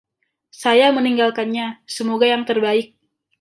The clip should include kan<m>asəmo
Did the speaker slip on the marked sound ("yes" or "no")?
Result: yes